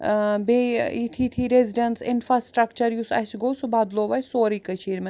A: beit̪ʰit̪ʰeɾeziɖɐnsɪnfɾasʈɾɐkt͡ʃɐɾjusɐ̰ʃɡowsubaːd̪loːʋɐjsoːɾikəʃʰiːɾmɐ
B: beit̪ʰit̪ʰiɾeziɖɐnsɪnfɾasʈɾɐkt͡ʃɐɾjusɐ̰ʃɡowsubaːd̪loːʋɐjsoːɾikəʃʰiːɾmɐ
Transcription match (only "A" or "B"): B